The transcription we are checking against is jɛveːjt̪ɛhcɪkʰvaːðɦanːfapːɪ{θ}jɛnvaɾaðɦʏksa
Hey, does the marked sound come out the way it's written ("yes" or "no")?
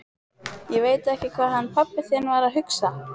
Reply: yes